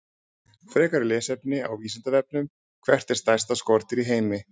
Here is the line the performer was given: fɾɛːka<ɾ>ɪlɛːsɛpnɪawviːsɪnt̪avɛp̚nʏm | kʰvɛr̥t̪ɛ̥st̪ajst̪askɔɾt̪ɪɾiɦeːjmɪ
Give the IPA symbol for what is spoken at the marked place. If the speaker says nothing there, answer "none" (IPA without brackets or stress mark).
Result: ɾ